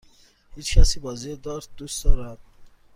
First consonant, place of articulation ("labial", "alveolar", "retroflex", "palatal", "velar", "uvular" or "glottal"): glottal